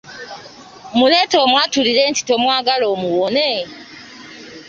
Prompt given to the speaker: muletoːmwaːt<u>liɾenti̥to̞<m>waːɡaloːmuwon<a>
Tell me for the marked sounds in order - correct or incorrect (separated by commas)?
correct, correct, incorrect